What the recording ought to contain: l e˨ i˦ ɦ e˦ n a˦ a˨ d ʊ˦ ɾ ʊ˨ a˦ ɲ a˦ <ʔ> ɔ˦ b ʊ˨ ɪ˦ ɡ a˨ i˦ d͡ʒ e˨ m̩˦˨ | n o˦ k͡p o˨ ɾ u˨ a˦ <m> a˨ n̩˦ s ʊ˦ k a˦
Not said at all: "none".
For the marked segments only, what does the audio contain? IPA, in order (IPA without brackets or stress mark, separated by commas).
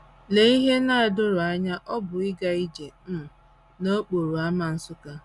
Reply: ʔ, m